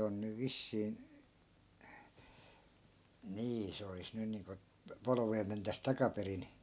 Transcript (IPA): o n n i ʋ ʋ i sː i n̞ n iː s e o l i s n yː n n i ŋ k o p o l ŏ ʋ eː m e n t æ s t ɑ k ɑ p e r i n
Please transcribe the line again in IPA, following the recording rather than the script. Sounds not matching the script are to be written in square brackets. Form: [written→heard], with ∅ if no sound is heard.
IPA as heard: o n n [i→y] ʋ ʋ i sː [i→iː] n̞ n iː s e o l i s n [yː→y] n n [i→iː] ŋ k o p o l ŏ ʋ eː m e n t æ s t ɑ k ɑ p e r i n